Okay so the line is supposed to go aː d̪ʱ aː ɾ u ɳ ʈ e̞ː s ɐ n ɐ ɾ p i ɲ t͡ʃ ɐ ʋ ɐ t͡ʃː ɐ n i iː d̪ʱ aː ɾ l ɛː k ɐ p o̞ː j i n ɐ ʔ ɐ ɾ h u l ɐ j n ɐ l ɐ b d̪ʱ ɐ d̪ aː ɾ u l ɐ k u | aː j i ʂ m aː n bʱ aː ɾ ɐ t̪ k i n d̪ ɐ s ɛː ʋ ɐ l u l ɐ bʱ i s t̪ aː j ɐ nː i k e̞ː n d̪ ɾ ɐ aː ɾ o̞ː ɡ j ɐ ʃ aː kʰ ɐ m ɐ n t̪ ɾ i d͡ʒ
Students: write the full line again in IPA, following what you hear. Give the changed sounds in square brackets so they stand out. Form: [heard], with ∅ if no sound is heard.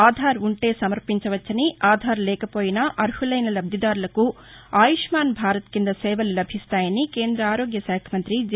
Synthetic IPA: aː d̪ʱ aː ɾ u ɳ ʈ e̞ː s ɐ [m] ɐ ɾ p i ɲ t͡ʃ ɐ ʋ ɐ t͡ʃː ɐ n i [aː] d̪ʱ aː ɾ l ɛː k ɐ p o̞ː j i n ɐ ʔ ɐ ɾ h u l ɐ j n ɐ l ɐ b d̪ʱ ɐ d̪ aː ɾ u l ɐ k u | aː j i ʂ m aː n bʱ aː ɾ ɐ t̪ k i n d̪ ɐ s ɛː ʋ ɐ l u l ɐ bʱ i s t̪ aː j ɐ [n] i k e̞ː n d̪ ɾ ɐ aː ɾ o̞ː ɡ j ɐ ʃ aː kʰ ɐ m ɐ n t̪ ɾ i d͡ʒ

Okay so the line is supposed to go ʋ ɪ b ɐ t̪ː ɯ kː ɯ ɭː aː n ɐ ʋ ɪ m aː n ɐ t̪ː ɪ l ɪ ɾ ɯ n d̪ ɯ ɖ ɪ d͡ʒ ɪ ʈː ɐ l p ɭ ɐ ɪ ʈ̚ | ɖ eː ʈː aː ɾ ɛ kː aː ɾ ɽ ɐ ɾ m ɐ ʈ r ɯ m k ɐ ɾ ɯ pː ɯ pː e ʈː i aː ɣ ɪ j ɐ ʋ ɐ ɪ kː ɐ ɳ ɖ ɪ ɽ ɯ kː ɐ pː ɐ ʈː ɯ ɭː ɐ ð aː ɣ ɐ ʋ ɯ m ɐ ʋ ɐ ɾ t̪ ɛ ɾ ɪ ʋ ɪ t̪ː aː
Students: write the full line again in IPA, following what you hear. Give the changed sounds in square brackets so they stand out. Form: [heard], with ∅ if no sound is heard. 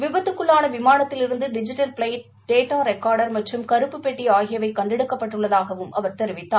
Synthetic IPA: ʋ ɪ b ɐ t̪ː ɯ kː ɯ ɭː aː n ɐ ʋ ɪ m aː n ɐ t̪ː ɪ l ɪ ɾ ɯ n d̪ ɯ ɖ ɪ d͡ʒ ɪ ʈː ɐ l p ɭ ɐ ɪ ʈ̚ | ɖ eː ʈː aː ɾ ɛ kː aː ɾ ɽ ɐ ɾ m ɐ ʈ r ɯ m k ɐ ɾ ɯ pː ɯ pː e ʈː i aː ɣ ɪ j ɐ ʋ ɐ ɪ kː ɐ ɳ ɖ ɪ ɽ ɯ kː ɐ pː ɐ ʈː ɯ ɭː ɐ ð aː ɣ ɐ ʋ ɯ m ɐ ʋ ɐ ɾ t̪ ɛ ɾ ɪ ʋ ɪ t̪ː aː

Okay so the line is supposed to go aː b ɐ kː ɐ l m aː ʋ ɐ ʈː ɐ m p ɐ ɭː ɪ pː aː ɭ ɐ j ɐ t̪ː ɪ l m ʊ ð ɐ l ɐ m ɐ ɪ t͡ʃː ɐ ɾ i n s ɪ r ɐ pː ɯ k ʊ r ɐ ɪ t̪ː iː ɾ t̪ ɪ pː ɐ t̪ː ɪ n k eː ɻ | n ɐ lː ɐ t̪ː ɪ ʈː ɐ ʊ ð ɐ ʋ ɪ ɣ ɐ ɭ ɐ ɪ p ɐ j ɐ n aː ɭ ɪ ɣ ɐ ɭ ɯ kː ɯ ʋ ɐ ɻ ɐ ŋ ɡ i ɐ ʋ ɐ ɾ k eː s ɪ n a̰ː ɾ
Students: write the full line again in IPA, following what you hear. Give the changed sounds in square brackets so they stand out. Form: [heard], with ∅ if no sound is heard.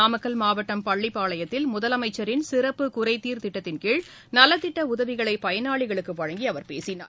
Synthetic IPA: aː [m] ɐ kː ɐ l m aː ʋ ɐ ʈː ɐ m p ɐ ɭː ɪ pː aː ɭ ɐ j ɐ t̪ː ɪ l m ʊ ð ɐ l ɐ m ɐ ɪ t͡ʃː ɐ ɾ [ɪ] n s ɪ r ɐ pː ɯ k ʊ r ɐ ɪ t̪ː iː ɾ t̪ ɪ [ʈː] ɐ t̪ː ɪ n k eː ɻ | n ɐ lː ɐ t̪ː ɪ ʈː ɐ ʊ ð ɐ ʋ ɪ ɣ ɐ ɭ ɐ ɪ p ɐ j ɐ n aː ɭ ɪ ɣ ɐ ɭ ɯ kː ɯ ʋ ɐ ɻ ɐ ŋ ɡ i ɐ ʋ ɐ ɾ [p] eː s ɪ n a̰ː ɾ

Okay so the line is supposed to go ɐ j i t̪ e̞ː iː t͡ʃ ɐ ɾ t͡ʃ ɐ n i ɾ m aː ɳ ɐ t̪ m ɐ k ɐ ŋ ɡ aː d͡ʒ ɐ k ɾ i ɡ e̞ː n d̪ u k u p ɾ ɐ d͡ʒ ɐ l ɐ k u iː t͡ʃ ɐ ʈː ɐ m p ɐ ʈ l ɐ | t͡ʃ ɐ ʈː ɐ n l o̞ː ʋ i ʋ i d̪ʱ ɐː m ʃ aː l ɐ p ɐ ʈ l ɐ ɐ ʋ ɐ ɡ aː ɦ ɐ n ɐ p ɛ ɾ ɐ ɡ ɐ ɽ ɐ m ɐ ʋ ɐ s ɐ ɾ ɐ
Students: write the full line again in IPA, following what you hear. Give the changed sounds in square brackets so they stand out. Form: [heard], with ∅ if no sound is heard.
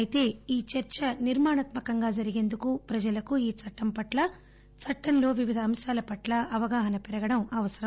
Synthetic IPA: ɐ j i t̪ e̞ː iː t͡ʃ ɐ ɾ t͡ʃ ɐ n i ɾ m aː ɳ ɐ t̪ m ɐ k ɐ ŋ ɡ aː d͡ʒ ɐ [∅] ɾ i ɡ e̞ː n d̪ u k u p ɾ ɐ d͡ʒ ɐ l ɐ k u iː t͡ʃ ɐ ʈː ɐ m p ɐ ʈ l ɐ | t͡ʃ ɐ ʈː ɐ n l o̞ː ʋ i ʋ i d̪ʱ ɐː m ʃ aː l ɐ p ɐ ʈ l ɐ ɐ ʋ ɐ ɡ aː ɦ ɐ n ɐ p ɛ ɾ ɐ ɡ ɐ ɽ ɐ m ɐ ʋ ɐ s ɐ ɾ ɐ

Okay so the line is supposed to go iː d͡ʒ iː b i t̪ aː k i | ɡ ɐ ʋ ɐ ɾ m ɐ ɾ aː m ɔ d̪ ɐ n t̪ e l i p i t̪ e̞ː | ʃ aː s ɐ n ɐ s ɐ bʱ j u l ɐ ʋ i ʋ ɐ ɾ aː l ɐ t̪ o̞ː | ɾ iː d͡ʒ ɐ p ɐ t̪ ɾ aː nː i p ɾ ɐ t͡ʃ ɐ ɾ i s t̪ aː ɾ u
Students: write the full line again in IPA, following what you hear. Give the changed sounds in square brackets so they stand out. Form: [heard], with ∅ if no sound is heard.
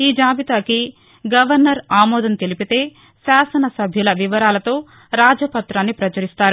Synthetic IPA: iː d͡ʒ [aː] b i t̪ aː k i | ɡ ɐ ʋ ɐ ɾ [n] ɐ ɾ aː m [ɔː] d̪ ɐ n t̪ e l i p i t̪ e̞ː | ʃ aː s ɐ n ɐ s ɐ bʱ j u l ɐ ʋ i ʋ ɐ ɾ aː l ɐ t̪ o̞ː | ɾ [aː] d͡ʒ ɐ p ɐ t̪ ɾ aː nː i p ɾ ɐ t͡ʃ ɐ ɾ i s t̪ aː ɾ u

